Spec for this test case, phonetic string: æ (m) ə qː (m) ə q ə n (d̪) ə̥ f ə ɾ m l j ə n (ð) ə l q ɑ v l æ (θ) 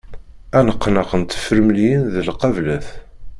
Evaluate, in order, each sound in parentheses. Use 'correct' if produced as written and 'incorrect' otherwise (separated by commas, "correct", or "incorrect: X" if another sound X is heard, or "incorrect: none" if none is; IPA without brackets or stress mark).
incorrect: n, incorrect: n, incorrect: t̪, correct, correct